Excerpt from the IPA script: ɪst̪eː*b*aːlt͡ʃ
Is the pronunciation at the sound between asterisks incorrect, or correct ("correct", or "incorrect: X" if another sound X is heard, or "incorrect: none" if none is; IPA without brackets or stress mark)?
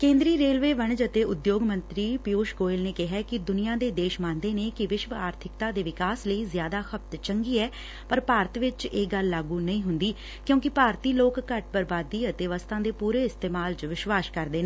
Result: incorrect: m